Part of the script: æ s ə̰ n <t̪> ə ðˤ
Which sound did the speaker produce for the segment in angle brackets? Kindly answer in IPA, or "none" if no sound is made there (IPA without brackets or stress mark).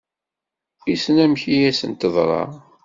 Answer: t̪